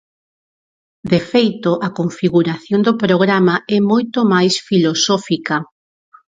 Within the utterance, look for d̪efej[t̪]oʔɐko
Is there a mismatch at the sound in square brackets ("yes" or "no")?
no